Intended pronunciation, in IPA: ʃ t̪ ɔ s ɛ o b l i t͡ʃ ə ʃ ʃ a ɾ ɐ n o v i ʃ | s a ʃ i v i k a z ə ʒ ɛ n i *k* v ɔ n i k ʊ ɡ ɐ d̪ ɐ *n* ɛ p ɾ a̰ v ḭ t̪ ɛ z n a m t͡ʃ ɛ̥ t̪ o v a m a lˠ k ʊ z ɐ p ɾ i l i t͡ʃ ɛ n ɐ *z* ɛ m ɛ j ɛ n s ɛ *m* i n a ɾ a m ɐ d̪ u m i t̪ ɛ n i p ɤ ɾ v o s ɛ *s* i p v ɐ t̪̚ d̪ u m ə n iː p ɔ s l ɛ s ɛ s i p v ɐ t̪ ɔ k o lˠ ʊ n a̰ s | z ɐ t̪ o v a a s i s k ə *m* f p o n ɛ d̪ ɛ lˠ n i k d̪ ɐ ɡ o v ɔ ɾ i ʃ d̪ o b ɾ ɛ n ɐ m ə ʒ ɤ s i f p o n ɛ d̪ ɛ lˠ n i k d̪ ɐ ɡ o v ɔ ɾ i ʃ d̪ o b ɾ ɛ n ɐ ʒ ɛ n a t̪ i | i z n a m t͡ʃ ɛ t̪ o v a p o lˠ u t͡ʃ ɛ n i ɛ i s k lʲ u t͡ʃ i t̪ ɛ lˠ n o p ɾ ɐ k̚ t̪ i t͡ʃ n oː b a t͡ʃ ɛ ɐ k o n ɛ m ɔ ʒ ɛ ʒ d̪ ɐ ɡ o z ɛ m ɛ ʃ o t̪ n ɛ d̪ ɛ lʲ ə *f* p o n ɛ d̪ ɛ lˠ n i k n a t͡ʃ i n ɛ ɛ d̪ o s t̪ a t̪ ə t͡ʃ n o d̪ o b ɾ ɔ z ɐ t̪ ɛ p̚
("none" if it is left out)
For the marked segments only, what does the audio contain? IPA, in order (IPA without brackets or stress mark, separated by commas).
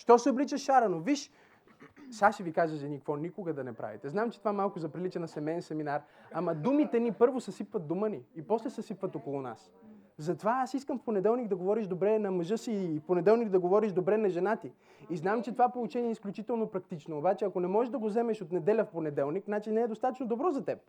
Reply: k, n, s, m, s, m, f